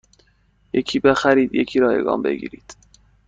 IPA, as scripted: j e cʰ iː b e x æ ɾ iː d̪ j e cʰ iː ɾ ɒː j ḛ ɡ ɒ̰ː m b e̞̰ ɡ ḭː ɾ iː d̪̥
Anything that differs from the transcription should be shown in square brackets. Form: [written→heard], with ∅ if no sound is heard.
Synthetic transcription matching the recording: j e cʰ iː b e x æ ɾ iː d̪ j e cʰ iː ɾ ɒː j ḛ ɡ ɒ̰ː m b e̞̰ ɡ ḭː ɾ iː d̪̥